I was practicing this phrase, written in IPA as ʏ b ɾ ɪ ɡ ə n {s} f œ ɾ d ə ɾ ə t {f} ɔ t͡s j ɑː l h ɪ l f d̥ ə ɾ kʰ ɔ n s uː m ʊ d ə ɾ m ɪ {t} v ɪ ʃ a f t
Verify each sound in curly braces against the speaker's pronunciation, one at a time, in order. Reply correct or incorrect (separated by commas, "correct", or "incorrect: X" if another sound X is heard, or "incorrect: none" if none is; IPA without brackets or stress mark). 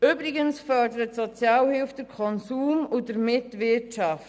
correct, incorrect: s, correct